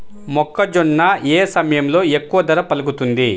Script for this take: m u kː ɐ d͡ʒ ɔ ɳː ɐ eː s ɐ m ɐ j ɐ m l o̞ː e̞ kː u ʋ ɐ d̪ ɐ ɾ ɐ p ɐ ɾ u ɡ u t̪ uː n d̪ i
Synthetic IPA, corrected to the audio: m ɔ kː ɐ d͡ʒ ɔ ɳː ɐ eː s ɐ m ɐ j ɐ m l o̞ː e̞ kː u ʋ ɐ d̪ ɐ ɾ ɐ p ɐ l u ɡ u t̪ u n d̪ i